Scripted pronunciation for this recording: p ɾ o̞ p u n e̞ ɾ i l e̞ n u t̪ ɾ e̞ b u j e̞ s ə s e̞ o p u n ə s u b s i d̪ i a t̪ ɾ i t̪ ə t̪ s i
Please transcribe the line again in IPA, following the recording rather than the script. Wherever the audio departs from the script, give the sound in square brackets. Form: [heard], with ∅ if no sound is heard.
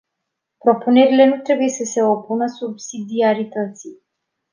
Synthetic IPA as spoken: p ɾ o̞ p u n e̞ ɾ i l e̞ n u t̪ ɾ e̞ b u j e̞ s ə s e̞ o p u n ə s u b s i d̪ i a [∅] ɾ i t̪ ə t̪ s i